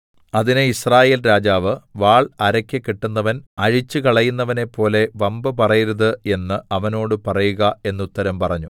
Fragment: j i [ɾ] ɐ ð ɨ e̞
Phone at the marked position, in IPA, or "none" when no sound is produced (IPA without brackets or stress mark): ɾ